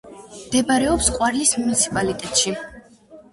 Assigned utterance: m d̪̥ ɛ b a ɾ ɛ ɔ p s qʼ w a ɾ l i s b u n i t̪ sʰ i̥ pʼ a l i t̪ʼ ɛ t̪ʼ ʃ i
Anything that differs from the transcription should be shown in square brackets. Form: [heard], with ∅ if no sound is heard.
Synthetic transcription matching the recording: m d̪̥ ɛ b a ɾ ɛ ɔ p s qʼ w a ɾ l i s [m] u n i t̪ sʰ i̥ pʼ a l i t̪ʼ ɛ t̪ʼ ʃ i